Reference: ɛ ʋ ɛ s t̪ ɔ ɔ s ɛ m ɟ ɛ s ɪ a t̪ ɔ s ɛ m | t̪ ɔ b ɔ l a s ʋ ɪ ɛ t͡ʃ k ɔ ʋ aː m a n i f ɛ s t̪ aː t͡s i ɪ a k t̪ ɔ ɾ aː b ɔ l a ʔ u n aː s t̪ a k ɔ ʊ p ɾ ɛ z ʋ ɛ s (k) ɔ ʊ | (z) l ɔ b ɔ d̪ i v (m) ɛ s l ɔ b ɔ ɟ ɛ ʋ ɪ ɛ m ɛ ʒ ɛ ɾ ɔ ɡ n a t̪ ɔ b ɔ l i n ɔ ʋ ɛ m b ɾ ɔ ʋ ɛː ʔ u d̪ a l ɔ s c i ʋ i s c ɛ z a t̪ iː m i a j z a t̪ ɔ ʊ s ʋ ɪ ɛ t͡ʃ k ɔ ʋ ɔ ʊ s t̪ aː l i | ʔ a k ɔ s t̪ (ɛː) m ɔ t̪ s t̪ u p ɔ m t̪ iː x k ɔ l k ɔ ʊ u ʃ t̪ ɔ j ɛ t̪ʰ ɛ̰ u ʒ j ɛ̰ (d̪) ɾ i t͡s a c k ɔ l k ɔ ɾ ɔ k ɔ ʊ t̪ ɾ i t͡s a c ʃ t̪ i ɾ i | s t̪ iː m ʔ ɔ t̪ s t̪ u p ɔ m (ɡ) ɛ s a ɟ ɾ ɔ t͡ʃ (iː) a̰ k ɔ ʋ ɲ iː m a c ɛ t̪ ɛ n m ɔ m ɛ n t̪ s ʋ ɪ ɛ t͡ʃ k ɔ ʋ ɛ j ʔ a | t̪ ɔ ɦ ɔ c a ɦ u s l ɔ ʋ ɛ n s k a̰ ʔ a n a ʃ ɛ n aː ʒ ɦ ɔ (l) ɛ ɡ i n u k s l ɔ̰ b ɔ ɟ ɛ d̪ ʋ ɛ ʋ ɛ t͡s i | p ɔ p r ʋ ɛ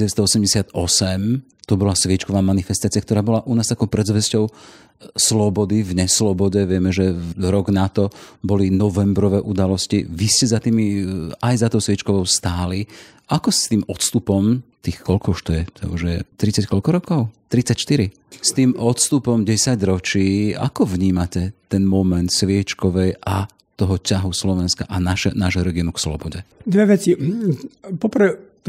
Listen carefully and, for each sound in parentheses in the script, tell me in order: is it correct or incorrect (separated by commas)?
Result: incorrect, incorrect, incorrect, incorrect, incorrect, incorrect, correct, incorrect